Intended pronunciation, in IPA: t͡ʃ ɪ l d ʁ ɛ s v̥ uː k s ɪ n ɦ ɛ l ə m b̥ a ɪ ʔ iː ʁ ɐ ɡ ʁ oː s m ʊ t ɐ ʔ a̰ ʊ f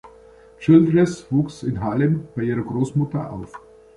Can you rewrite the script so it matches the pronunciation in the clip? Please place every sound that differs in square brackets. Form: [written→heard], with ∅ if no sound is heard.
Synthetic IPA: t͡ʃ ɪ l d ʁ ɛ s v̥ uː k s ɪ n ɦ [ɛ→a] l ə m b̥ a ɪ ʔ iː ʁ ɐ ɡ ʁ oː s m ʊ t ɐ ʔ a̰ ʊ f